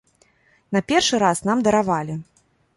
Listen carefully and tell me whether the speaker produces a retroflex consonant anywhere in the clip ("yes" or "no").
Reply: yes